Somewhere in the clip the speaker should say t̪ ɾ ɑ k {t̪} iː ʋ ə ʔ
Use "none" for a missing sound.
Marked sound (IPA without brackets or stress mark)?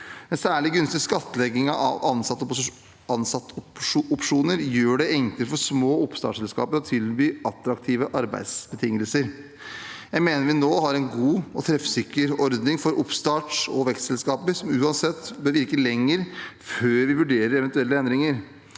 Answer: t̪ʰ